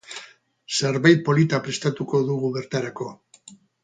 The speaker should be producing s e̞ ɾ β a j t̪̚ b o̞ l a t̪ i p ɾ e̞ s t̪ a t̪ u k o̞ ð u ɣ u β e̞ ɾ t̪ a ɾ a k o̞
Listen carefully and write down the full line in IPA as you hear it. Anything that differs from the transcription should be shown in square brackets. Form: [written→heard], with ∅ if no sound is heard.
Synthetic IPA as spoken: s e̞ ɾ β a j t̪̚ [b→p] o̞ l [a→i] t̪ [i→a] p ɾ e̞ s t̪ a t̪ u k o̞ ð u ɣ u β e̞ ɾ t̪ a ɾ a k o̞